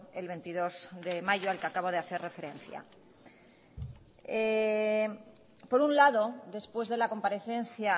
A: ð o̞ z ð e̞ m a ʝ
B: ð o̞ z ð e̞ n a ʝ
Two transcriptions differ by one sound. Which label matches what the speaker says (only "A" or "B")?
A